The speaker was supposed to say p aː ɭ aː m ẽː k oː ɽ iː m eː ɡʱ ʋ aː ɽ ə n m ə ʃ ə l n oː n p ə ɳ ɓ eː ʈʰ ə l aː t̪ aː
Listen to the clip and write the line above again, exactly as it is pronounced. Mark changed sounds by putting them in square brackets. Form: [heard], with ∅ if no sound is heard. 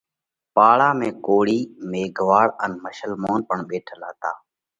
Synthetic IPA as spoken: p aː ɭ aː m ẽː k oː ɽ iː m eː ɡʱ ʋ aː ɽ ə n m ə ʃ ə l [m] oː n p ə ɳ ɓ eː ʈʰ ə l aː t̪ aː